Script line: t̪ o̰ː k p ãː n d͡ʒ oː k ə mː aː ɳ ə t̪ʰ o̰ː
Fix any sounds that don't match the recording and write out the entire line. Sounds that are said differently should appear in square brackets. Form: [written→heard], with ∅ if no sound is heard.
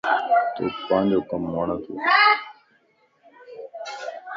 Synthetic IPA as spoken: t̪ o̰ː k p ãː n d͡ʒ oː k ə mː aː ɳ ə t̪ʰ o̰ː